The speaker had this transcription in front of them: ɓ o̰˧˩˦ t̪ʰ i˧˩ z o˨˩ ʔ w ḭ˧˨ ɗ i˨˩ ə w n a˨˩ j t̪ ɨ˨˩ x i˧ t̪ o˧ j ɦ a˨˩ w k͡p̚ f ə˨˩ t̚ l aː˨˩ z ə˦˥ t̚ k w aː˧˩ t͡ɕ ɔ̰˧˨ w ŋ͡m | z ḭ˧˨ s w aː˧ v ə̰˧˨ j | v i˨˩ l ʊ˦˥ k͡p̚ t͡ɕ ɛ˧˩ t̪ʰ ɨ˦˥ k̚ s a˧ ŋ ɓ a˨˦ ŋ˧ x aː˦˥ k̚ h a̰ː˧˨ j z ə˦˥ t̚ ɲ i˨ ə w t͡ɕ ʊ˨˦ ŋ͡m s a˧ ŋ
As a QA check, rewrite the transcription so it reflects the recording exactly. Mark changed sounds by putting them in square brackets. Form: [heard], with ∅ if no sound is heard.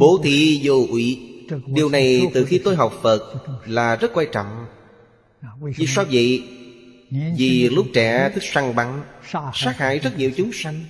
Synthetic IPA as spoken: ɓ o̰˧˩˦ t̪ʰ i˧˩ z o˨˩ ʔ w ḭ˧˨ ɗ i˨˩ ə w n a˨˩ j t̪ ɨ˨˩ x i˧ t̪ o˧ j ɦ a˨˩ w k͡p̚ f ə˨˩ t̚ l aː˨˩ z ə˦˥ t̚ k w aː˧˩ t͡ɕ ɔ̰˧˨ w ŋ͡m | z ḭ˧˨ s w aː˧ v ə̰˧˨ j | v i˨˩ l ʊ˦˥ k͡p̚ t͡ɕ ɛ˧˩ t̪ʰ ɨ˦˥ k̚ s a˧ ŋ ɓ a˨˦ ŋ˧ [s] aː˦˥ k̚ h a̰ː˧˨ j z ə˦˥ t̚ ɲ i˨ ə w t͡ɕ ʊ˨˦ ŋ͡m s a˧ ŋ

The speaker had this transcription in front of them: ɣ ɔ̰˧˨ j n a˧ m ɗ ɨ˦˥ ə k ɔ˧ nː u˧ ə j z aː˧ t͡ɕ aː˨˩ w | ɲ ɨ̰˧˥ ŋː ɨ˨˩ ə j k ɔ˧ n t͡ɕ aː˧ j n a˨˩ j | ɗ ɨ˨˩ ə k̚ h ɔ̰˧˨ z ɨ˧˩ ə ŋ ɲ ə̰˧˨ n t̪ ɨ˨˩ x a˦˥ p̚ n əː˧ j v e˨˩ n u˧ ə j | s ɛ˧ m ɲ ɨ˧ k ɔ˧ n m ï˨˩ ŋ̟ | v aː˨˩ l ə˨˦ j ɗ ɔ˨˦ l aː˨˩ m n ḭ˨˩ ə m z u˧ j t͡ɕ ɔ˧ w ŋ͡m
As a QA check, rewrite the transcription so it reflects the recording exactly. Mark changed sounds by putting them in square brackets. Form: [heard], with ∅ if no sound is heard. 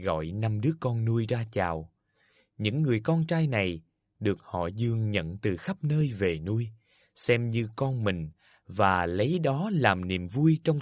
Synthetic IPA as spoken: ɣ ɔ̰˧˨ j n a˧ m ɗ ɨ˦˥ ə k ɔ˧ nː u˧ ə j z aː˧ t͡ɕ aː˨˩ w | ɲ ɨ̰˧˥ ŋː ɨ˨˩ ə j k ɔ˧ n t͡ɕ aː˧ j n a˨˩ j | ɗ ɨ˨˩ ə k̚ h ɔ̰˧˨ z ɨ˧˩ ə ŋ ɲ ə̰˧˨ n t̪ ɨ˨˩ x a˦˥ p̚ n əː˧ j v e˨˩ n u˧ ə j | s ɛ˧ m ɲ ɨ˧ k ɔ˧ n m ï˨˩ ŋ̟ | v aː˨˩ l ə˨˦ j ɗ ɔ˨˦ l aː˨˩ m n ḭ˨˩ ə m [v] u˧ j t͡ɕ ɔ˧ w ŋ͡m

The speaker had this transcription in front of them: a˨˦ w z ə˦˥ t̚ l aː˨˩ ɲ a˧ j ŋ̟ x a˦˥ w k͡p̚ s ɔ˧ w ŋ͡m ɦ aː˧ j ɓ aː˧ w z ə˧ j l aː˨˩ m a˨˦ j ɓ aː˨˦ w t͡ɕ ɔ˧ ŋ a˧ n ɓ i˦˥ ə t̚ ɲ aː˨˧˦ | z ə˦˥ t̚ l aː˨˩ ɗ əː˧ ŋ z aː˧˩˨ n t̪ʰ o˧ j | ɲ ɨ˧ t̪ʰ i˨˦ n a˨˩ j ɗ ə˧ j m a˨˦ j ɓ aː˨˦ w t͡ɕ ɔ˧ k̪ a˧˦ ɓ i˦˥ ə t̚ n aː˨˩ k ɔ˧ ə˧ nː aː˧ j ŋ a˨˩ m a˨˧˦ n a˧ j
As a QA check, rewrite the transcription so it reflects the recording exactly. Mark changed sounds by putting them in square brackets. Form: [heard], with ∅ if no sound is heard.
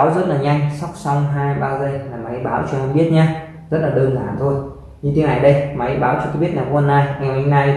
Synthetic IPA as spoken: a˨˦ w z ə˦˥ t̚ l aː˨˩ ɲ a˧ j ŋ̟ [s] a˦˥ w k͡p̚ s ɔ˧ w ŋ͡m ɦ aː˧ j ɓ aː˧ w z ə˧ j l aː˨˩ m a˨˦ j ɓ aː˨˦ w t͡ɕ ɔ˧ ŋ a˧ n ɓ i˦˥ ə t̚ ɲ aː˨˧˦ | z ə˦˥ t̚ l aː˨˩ ɗ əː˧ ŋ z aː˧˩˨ n t̪ʰ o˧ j | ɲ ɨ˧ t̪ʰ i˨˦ n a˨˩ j ɗ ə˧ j m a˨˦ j ɓ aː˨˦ w t͡ɕ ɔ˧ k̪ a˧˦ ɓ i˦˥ ə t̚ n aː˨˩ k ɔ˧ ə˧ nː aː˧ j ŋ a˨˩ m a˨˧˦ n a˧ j

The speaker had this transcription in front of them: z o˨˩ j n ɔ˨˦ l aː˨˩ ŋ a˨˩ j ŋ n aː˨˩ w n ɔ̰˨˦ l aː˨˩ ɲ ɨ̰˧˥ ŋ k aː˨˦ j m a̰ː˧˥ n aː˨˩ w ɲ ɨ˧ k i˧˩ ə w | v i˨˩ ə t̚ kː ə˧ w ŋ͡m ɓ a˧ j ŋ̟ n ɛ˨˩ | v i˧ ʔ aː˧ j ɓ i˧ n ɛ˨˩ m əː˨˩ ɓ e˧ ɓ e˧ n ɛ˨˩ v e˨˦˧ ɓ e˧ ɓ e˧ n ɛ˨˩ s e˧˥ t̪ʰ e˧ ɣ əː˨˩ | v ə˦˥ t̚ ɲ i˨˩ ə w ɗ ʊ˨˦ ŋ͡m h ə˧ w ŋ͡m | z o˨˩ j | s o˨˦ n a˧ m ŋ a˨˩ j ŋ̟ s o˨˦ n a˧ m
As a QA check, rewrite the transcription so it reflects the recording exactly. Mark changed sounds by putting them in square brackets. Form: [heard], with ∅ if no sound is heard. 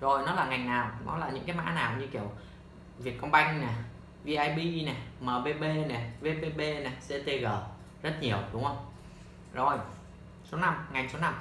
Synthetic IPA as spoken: z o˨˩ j n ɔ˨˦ l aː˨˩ ŋ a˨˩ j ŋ n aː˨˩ w n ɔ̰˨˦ l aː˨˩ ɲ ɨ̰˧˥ ŋ k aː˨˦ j m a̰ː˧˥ n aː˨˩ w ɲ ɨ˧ k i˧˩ ə w | v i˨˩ ə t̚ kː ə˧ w ŋ͡m ɓ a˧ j ŋ̟ n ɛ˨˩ | v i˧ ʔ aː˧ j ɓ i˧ n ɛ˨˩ m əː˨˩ ɓ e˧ ɓ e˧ n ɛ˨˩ v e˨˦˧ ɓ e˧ ɓ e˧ n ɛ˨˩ s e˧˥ [t̪] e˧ ɣ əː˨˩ | [z] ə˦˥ t̚ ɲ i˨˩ ə w ɗ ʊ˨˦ ŋ͡m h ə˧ w ŋ͡m | z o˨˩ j | s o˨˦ n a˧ m ŋ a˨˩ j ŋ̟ s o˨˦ n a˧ m

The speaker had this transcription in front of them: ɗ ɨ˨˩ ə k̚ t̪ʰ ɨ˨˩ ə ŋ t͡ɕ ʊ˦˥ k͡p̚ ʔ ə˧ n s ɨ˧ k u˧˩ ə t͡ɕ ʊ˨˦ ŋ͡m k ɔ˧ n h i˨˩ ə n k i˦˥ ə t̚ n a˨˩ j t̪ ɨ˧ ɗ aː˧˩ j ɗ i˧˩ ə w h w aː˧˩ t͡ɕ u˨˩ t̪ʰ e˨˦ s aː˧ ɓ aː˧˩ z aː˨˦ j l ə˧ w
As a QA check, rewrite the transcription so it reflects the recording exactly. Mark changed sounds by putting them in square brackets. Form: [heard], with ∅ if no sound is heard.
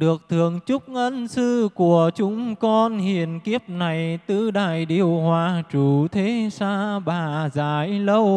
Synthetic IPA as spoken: ɗ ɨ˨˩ ə k̚ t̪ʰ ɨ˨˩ ə ŋ t͡ɕ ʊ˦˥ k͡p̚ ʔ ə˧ n s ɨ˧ k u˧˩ ə t͡ɕ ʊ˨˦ ŋ͡m k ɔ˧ n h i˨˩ ə n k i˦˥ ə [p̚] n a˨˩ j t̪ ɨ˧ ɗ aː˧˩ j ɗ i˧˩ ə w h w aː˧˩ t͡ɕ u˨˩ t̪ʰ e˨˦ s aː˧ ɓ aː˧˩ z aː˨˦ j l ə˧ w

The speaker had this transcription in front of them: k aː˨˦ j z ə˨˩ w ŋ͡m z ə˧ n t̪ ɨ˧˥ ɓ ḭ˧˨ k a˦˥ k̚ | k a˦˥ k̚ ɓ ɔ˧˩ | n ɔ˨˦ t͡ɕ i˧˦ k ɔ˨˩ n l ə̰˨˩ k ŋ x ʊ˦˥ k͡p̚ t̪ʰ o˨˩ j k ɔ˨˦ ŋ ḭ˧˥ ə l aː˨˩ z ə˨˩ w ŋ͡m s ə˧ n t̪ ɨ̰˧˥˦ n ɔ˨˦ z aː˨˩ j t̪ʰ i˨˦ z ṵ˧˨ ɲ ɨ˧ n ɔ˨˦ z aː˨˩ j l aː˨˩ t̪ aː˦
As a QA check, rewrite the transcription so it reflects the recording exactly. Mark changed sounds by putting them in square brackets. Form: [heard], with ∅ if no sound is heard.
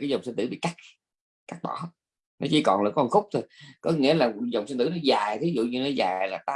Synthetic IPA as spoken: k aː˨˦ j z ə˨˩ w ŋ͡m [s] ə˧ n t̪ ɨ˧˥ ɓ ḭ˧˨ k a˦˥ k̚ | k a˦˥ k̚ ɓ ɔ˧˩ | n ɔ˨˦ t͡ɕ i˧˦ k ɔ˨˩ n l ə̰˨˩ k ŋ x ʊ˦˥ k͡p̚ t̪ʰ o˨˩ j k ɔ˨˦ ŋ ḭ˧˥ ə l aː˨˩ z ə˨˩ w ŋ͡m s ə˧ n t̪ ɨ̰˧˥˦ n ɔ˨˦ z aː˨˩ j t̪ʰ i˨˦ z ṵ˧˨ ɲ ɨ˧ n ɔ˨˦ z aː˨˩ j l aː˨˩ t̪ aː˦

